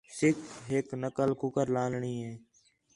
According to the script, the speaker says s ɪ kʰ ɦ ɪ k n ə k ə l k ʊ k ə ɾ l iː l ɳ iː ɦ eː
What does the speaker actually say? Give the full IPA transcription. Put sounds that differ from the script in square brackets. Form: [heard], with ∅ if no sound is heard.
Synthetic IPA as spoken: s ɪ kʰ ɦ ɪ k n ə k ə l k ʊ k ə ɾ l [aː] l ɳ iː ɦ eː